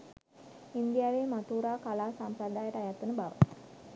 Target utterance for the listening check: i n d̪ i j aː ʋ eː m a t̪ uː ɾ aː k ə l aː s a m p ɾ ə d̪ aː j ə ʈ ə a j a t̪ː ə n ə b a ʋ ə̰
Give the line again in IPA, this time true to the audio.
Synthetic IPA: i n d̪ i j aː ʋ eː m a t̪ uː ɾ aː k a l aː s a m p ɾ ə d̪ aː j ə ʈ ə a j a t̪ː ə n ə b a ʋ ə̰